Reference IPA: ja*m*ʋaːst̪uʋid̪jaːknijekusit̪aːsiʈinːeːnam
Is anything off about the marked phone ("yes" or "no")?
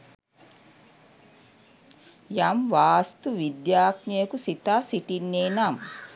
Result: no